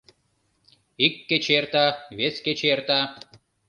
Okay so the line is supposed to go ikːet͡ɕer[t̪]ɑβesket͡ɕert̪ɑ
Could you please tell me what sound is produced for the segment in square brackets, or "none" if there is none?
t̪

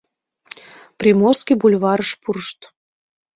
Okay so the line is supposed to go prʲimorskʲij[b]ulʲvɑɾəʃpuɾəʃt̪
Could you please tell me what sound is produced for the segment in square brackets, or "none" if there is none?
b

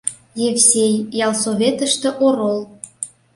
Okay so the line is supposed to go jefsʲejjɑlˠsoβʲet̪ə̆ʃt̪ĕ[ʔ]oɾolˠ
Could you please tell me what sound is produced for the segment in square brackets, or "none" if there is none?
ʔ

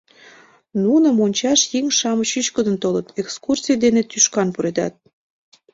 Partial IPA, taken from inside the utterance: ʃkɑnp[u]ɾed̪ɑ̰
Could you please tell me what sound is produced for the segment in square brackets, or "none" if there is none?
u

